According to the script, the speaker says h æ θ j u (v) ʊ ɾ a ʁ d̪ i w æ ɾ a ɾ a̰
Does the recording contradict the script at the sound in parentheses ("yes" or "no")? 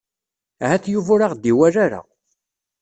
no